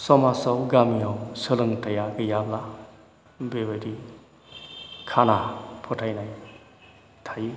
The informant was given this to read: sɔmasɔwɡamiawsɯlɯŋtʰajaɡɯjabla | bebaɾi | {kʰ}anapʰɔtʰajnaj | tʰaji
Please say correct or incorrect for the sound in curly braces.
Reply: correct